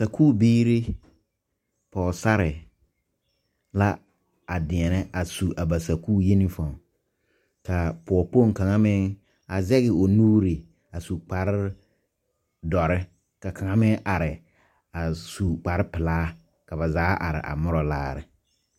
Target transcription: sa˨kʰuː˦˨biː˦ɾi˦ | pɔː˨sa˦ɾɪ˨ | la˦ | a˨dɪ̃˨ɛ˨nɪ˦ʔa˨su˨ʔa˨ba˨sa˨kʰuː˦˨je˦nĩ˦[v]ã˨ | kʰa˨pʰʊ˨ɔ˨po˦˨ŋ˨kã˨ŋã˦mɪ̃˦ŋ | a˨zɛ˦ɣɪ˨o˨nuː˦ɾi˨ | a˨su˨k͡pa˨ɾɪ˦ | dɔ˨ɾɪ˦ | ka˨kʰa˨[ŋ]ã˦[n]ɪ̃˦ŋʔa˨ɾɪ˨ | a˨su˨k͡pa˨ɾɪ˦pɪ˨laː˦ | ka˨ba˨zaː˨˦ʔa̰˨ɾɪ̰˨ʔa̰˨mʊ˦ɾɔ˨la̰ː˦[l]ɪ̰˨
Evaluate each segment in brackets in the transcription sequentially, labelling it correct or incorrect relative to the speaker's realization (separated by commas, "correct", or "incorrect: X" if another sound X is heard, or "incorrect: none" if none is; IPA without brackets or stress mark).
incorrect: f, correct, incorrect: m, incorrect: ɾ